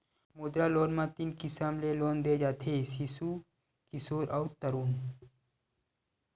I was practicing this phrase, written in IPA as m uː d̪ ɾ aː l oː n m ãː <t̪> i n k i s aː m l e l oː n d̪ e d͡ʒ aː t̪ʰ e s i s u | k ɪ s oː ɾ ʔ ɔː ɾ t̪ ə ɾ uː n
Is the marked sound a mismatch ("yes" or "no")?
no